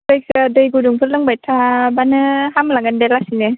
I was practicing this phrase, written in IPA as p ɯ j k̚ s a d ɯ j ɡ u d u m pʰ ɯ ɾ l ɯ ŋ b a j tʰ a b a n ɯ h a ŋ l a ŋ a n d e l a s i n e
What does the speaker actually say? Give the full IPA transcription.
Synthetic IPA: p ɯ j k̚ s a d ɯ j ɡ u d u ŋ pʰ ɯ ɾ l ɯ ŋ b a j tʰ a b a n ɯ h a m l a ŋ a n d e l a s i n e